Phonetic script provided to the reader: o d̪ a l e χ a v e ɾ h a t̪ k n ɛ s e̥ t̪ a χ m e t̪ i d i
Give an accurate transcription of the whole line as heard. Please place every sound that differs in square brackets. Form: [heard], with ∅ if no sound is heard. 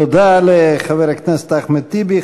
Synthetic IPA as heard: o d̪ a l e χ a v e ɾ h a [∅] k n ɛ s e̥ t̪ a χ m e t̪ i [b] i